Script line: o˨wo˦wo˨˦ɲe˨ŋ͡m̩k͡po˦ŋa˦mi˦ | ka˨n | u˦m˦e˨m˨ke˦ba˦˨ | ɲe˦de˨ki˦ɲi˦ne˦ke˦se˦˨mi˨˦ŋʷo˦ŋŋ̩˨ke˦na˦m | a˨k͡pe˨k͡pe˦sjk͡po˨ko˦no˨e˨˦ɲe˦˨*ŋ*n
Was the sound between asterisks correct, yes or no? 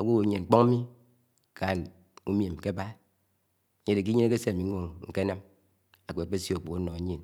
no